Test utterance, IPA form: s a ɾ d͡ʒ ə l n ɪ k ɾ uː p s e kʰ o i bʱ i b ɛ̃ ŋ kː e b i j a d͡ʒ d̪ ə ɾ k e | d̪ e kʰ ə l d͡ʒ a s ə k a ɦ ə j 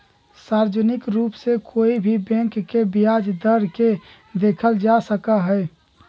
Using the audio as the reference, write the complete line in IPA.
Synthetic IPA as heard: s a ɾ d͡ʒ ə n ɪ k ɾ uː p s e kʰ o i bʱ i b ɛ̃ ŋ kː e b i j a d͡ʒ d̪ ə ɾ k e | d̪ e kʰ ə l d͡ʒ a s ə k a ɦ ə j